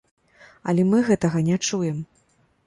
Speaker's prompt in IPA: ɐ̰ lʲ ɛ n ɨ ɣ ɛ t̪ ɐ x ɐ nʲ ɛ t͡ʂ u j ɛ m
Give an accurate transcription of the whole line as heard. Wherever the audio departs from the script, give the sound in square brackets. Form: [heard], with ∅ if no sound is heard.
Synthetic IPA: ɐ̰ lʲ ɛ [m] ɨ ɣ ɛ t̪ ɐ [ɣ] ɐ nʲ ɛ t͡ʂ u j ɛ m